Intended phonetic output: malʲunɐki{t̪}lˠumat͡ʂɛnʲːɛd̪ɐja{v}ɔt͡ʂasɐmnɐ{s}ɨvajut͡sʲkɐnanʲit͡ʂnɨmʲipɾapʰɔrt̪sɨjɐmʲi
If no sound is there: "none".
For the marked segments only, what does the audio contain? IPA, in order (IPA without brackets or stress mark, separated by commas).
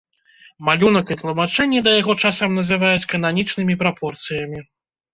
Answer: t̪, ɣ, z